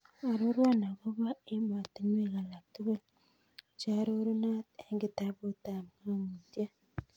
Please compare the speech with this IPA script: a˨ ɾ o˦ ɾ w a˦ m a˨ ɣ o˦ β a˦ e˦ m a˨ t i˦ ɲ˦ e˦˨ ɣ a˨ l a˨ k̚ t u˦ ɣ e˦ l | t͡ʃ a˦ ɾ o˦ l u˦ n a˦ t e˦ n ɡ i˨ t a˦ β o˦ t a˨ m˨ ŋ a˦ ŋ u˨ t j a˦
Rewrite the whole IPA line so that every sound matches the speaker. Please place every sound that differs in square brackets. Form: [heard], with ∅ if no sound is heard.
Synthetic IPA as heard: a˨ ɾ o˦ ɾ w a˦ [n] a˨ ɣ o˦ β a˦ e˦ m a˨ t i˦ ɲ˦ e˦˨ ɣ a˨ l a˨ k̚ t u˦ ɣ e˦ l | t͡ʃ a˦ ɾ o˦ [ɾ] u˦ n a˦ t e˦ [ŋ] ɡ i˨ t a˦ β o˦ t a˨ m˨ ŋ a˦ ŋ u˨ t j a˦

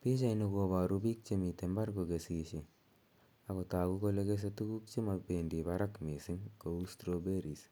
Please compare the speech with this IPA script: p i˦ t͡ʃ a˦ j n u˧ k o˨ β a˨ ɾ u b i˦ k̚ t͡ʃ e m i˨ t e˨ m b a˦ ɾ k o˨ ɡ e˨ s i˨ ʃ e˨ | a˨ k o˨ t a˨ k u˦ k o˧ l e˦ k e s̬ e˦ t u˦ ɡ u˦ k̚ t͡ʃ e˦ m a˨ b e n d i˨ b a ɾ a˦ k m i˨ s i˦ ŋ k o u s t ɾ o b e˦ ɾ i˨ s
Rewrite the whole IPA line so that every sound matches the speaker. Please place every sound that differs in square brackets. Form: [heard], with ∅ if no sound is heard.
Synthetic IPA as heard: p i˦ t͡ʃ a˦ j n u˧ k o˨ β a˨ ɾ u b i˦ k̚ t͡ʃ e m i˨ t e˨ m b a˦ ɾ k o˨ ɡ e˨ s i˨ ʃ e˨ | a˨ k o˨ t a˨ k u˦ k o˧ l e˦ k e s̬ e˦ t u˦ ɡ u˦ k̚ t͡ʃ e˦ m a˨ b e n d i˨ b a ɾ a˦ k m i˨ s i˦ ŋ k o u s t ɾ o b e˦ ɾ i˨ s

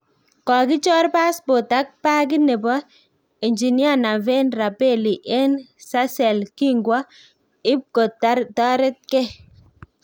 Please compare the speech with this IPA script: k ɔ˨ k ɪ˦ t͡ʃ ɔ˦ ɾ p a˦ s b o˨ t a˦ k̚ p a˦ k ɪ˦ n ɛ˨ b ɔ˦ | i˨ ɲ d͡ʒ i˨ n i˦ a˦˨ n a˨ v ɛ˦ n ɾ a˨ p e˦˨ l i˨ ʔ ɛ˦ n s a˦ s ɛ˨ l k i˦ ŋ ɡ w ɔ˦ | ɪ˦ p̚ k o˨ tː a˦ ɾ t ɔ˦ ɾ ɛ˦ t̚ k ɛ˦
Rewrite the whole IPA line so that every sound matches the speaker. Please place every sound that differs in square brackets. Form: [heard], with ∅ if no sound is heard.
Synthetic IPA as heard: k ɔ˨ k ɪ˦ t͡ʃ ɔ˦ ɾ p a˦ s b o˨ t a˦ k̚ p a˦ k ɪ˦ n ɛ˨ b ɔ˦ | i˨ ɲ d͡ʒ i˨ n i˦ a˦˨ n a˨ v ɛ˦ n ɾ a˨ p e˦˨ l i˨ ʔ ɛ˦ n s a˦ s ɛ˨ l k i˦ ŋ ɡ w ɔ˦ | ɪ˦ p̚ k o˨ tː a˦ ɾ t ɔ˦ ɾ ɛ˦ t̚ k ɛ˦

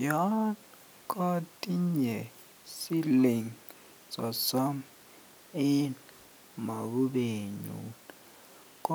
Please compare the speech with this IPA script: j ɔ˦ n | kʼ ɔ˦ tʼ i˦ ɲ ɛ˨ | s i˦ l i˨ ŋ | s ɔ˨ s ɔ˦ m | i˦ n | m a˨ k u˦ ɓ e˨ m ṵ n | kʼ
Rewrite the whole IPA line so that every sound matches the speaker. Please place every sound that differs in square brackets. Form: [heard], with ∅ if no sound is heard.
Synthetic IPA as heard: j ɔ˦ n | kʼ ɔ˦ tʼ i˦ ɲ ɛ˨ | s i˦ l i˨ ŋ | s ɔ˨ s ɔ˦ m | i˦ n | m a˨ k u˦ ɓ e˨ [ɲ] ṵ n | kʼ

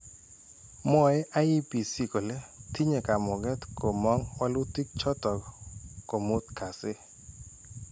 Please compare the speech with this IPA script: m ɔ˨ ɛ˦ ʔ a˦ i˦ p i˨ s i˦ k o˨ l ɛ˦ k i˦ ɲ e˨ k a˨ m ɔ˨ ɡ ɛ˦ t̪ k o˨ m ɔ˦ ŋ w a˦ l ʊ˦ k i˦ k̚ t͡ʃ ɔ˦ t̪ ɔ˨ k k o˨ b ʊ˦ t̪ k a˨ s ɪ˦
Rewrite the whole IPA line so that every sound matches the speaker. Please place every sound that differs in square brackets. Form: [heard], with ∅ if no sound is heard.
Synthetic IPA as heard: m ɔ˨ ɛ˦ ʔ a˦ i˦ p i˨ s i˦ k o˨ l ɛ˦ [t] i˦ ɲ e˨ k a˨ m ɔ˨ ɡ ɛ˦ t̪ k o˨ m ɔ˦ ŋ w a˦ l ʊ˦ [t] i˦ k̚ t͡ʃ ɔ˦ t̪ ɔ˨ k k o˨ [m] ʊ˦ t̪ k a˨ s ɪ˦

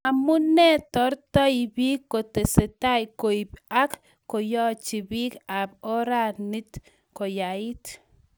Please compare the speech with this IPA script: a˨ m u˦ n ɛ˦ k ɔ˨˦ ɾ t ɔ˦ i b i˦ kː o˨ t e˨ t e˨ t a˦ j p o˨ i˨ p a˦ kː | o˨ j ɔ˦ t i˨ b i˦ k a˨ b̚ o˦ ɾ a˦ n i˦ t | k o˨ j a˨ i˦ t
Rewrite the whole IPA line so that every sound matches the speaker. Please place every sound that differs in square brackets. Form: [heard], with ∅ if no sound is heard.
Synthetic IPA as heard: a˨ m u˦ n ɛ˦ [t] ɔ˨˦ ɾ t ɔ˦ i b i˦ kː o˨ t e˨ [s] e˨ t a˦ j [k] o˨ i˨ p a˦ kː | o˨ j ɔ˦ [t͡ʃ] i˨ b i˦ k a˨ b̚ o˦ ɾ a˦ n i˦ t | k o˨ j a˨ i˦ t

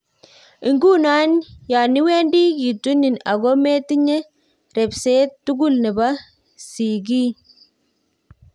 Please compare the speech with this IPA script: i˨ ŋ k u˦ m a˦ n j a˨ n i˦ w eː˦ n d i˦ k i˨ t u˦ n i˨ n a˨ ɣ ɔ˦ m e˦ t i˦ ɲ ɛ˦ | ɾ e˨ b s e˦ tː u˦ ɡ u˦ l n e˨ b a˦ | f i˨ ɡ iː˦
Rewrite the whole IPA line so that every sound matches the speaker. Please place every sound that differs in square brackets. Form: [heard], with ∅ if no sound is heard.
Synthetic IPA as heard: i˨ ŋ [ɡ] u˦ [n] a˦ n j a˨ n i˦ w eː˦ n d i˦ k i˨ t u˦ n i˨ n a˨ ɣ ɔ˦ m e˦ t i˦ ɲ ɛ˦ | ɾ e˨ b s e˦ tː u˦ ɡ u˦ l n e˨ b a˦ | [s] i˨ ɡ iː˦

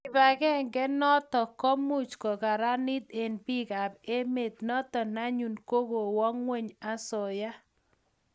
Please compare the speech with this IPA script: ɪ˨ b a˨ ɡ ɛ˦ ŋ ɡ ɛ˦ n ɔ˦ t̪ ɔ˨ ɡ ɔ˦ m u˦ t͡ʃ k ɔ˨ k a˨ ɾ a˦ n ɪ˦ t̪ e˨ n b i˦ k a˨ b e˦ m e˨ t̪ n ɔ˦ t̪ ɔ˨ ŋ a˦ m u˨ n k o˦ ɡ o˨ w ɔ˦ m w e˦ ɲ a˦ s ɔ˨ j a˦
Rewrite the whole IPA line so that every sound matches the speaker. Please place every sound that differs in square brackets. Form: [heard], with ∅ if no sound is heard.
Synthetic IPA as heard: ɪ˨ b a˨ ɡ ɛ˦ ŋ ɡ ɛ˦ n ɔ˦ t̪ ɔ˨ [k] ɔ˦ m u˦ t͡ʃ k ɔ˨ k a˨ ɾ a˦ n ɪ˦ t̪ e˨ n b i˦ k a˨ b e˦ m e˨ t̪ n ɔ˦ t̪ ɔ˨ [n] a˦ [ɲ] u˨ n k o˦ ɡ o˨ w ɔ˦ [ŋ] w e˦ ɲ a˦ s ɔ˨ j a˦

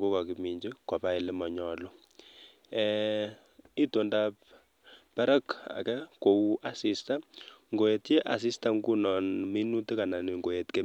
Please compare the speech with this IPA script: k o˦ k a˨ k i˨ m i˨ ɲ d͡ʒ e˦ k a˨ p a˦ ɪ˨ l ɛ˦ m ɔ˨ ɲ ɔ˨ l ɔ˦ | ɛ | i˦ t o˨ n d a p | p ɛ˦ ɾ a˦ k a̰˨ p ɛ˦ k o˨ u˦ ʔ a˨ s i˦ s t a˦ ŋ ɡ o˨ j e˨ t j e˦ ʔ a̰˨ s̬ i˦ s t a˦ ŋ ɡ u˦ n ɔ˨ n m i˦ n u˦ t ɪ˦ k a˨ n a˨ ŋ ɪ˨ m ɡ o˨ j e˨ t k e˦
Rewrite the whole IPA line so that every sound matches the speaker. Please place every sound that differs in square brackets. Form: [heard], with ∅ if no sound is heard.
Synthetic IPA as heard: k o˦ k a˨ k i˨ m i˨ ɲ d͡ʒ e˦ k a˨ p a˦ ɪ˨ l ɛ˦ m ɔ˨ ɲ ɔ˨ l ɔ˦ | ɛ | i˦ t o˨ n d a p | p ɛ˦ ɾ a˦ k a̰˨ [k] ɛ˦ k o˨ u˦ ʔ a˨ s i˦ s t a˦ ŋ ɡ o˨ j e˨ t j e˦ ʔ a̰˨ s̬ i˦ s t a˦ ŋ ɡ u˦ n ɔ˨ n m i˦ n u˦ t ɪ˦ k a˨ n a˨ [n] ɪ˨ [ŋ] ɡ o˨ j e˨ t k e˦

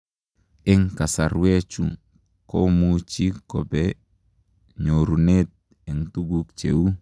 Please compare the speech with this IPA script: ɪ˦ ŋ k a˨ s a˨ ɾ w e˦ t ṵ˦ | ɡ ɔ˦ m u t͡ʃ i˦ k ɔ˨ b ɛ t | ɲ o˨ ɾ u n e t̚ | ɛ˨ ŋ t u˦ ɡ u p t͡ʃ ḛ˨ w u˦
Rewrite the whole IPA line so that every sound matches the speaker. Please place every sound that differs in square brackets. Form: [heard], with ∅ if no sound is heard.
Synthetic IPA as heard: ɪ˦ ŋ k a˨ s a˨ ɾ w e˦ [t͡ʃ] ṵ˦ | [k] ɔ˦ m u t͡ʃ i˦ k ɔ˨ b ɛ [∅] | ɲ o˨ ɾ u n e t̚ | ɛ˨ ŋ t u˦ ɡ u [k] t͡ʃ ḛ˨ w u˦

